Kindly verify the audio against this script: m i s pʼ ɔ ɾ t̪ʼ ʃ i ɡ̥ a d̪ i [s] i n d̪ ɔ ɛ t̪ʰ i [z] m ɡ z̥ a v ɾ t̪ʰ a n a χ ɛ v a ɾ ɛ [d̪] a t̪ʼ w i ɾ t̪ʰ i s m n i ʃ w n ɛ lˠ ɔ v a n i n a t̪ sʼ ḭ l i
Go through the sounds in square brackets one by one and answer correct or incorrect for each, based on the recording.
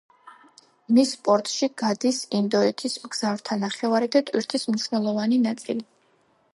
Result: correct, incorrect: s, correct

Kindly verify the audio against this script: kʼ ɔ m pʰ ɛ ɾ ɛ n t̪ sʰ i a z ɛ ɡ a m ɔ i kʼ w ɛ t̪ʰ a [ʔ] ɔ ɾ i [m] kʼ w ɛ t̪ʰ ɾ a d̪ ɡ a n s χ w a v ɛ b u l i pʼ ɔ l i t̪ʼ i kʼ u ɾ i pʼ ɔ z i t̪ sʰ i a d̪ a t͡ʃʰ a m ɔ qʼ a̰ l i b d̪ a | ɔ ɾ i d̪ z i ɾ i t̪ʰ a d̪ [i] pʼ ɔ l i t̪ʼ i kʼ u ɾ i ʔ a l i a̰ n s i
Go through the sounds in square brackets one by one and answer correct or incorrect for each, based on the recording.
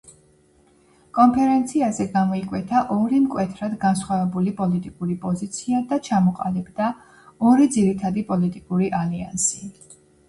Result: correct, correct, correct

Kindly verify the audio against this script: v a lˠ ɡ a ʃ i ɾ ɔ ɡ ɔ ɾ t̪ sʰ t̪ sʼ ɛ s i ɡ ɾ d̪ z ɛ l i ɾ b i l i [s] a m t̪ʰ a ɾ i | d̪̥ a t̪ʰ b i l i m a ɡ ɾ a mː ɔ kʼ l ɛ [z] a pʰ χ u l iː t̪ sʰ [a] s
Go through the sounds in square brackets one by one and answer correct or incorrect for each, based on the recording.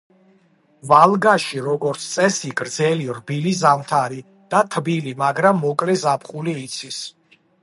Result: incorrect: z, correct, incorrect: i

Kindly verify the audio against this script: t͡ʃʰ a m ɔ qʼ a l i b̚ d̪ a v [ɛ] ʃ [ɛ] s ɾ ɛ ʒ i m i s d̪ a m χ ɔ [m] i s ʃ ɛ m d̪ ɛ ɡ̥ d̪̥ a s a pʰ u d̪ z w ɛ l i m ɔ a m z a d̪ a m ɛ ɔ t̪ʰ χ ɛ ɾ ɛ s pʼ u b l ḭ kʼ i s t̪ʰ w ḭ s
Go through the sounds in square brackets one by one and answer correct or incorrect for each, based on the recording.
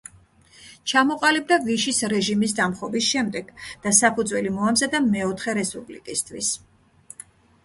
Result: incorrect: i, incorrect: i, incorrect: b

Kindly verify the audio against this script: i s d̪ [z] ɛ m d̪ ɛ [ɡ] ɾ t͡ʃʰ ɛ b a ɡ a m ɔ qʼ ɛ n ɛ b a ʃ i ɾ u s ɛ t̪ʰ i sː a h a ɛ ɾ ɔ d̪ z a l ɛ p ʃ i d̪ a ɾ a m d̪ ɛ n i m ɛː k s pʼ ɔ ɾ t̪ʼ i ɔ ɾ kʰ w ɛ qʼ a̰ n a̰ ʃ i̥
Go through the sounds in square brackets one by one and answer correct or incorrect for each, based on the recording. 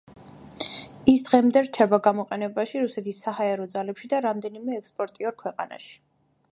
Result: incorrect: ʁ, incorrect: none

